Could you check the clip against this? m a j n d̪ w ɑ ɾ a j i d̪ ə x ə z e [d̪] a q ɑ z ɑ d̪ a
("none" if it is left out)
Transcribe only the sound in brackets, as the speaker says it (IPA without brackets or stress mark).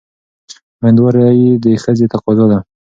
t̪